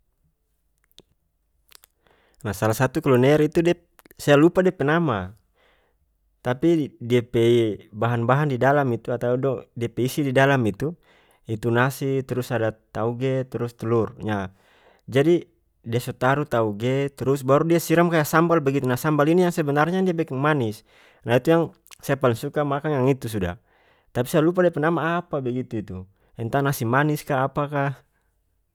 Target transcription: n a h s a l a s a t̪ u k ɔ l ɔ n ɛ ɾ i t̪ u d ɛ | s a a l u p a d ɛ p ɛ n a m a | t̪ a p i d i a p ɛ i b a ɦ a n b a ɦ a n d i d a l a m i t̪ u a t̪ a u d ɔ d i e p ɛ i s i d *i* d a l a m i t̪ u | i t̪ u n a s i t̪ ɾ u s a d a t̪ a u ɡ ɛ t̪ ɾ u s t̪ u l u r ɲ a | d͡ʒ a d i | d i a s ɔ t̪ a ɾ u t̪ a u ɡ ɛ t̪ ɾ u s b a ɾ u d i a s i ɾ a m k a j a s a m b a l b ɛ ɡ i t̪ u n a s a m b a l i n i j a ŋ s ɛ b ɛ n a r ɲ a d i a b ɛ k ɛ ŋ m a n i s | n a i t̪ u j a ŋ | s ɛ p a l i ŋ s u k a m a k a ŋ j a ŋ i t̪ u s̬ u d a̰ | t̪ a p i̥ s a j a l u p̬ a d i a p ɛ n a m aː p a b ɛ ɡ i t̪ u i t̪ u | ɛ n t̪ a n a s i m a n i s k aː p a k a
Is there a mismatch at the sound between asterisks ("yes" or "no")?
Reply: no